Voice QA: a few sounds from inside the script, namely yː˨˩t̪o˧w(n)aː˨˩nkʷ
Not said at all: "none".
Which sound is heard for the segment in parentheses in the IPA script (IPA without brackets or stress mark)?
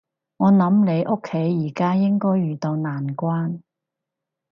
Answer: n